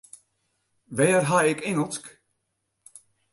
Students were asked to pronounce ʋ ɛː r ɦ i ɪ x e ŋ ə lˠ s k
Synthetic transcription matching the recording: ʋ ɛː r ɦ a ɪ k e ŋ ə lˠ s k